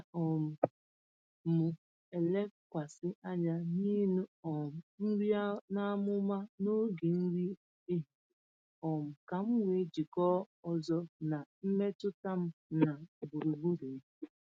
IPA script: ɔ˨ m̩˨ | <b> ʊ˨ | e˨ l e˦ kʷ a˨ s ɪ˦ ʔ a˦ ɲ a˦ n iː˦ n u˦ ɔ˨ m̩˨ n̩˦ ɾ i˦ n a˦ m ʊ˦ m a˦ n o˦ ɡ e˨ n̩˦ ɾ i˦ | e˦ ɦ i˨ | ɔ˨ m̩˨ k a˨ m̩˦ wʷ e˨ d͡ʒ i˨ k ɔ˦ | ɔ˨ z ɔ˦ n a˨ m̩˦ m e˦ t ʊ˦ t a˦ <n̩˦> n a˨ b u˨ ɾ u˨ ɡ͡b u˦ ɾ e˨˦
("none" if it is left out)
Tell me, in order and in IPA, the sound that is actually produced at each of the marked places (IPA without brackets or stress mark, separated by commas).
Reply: m, m̩˦